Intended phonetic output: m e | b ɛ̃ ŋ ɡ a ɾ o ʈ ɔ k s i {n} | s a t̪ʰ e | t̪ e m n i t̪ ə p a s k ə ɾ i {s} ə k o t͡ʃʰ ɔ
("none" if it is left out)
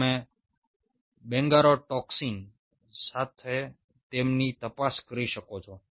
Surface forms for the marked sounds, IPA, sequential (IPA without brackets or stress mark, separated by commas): n, ʃ